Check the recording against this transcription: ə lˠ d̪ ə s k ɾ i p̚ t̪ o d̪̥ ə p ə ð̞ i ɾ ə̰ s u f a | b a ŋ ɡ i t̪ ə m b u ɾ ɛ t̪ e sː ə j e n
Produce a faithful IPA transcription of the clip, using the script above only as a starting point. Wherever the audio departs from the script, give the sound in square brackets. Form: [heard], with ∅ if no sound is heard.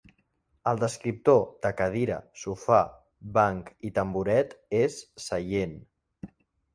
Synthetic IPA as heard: ə lˠ d̪ ə s k ɾ i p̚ t̪ o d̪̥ ə [k] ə ð̞ i ɾ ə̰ s u f a | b a ŋ [k] i t̪ ə m b u ɾ ɛ t̪ e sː ə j e n